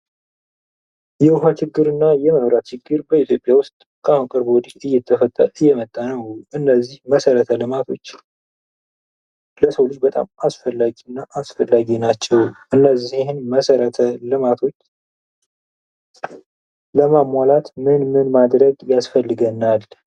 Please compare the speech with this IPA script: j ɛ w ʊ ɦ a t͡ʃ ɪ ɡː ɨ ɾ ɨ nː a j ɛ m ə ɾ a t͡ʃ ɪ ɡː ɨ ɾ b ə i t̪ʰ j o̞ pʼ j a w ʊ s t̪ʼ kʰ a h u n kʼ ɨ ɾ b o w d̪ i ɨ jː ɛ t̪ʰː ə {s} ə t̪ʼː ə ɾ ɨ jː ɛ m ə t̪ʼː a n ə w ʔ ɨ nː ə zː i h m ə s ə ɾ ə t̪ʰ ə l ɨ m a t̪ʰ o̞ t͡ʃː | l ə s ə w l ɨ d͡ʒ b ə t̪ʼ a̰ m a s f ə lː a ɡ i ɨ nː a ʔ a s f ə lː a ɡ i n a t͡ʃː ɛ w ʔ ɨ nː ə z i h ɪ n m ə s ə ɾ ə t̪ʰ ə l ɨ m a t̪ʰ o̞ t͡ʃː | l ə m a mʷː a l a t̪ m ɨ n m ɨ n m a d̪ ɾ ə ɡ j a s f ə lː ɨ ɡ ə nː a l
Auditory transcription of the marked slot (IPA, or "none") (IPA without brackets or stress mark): f